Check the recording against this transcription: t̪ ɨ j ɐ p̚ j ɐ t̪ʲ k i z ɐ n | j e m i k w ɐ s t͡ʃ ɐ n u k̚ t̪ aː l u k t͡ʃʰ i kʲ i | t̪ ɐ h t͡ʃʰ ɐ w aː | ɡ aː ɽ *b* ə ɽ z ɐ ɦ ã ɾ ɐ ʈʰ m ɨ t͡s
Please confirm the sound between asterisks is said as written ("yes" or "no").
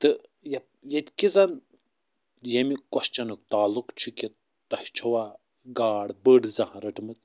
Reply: yes